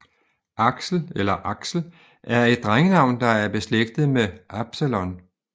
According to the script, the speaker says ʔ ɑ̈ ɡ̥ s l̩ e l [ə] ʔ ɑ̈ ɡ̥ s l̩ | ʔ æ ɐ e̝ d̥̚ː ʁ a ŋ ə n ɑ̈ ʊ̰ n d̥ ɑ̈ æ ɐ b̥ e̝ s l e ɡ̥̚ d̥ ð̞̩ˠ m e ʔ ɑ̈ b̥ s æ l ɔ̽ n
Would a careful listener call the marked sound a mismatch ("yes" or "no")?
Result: yes